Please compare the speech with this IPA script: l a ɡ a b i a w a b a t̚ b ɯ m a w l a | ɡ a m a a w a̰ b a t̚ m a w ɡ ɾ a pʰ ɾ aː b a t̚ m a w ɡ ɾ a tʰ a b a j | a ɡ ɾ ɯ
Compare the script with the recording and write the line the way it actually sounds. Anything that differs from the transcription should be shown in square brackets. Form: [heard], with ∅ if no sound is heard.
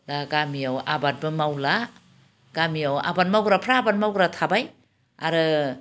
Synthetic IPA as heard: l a ɡ a [m] i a w a b a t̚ b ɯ m a w l a | ɡ a m [i] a w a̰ b a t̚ m a w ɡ ɾ a pʰ ɾ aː b a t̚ m a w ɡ ɾ a tʰ a b a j | a [∅] ɾ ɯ